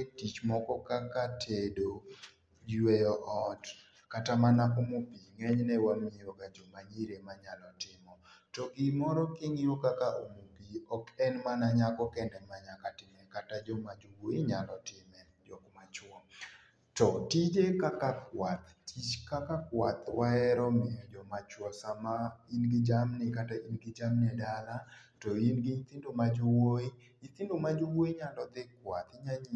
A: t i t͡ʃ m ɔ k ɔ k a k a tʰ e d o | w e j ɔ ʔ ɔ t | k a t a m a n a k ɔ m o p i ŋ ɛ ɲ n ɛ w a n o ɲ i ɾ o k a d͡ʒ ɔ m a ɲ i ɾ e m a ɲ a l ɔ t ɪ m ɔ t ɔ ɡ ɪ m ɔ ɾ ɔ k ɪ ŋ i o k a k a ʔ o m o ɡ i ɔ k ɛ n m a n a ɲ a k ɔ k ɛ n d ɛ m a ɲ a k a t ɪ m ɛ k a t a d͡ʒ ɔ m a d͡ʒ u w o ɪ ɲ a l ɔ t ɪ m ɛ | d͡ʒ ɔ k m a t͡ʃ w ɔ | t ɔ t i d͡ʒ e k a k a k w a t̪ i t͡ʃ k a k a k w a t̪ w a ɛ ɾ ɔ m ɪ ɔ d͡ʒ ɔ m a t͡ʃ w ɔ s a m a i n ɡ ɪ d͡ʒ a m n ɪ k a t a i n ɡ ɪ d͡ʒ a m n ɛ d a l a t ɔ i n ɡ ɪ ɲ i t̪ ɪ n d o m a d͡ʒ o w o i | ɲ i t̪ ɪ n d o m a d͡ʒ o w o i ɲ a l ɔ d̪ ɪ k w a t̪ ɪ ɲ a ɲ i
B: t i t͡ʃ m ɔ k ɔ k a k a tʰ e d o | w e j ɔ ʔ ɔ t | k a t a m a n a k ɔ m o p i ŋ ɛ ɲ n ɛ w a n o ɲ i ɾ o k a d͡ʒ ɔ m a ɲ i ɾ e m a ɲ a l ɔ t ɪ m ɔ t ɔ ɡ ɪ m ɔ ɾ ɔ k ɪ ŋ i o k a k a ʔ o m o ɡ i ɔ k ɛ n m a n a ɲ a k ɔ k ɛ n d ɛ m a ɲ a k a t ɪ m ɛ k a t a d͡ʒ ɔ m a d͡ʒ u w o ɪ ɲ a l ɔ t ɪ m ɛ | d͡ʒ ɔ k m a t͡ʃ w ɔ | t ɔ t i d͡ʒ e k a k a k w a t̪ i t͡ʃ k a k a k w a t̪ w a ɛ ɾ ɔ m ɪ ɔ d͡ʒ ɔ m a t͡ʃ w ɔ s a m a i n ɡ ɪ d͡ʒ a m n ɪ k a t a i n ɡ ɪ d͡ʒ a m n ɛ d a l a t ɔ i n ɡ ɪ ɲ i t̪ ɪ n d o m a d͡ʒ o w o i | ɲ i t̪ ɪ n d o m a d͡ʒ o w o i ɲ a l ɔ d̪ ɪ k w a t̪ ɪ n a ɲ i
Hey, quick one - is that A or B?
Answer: A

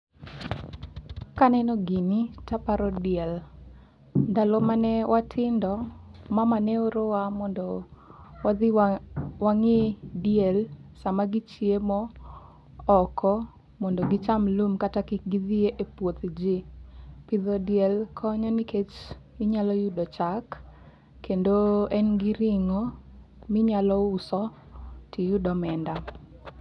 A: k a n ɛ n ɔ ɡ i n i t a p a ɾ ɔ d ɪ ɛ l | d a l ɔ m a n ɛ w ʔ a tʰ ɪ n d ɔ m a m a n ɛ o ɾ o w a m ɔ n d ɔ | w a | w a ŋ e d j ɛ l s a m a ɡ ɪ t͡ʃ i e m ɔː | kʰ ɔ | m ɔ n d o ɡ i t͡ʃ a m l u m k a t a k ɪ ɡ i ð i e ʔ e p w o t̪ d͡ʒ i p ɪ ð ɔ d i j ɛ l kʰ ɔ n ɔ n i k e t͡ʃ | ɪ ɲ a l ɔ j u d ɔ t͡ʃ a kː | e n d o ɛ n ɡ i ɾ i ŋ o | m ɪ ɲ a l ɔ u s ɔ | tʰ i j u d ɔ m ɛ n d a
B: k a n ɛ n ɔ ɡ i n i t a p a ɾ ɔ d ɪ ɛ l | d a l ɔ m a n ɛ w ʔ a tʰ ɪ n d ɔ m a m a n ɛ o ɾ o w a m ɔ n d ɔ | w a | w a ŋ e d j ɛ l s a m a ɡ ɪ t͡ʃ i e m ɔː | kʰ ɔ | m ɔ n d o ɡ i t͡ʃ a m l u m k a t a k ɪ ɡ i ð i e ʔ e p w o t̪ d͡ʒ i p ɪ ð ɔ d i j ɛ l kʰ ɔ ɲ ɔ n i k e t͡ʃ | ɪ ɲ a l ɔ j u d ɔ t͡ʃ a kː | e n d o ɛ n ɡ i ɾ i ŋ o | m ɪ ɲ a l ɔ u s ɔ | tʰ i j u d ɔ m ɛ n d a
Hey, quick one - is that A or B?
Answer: B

